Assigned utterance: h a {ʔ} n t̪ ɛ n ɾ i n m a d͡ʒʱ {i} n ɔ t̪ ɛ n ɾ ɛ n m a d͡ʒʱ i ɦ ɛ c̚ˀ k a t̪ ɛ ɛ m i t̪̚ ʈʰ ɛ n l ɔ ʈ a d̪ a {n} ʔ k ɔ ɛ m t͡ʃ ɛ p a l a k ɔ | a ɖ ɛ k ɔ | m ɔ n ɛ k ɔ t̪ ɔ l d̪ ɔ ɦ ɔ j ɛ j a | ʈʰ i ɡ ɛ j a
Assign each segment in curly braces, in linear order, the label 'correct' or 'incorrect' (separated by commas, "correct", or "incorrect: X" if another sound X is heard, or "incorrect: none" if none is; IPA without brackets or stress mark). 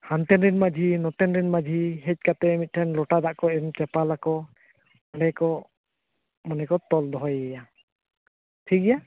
incorrect: none, correct, incorrect: none